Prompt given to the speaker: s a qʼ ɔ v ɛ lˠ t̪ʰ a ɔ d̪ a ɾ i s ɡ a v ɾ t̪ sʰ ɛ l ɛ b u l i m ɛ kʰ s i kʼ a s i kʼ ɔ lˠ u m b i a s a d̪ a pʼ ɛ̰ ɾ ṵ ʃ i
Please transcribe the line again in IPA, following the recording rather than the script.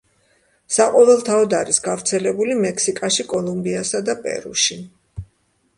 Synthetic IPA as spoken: s a qʼ ɔ v ɛ lˠ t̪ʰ a ɔ d̪ a ɾ i s ɡ a v ɾ t̪ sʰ ɛ l ɛ b u l i m ɛ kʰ s i kʼ a ʃ i kʼ ɔ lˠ u m b i a s a d̪ a pʼ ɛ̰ ɾ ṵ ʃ i